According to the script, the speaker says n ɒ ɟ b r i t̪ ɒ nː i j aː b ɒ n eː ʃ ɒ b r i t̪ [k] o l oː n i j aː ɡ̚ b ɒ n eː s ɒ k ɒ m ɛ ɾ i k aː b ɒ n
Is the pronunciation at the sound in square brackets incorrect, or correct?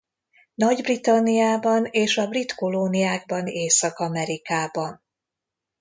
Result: correct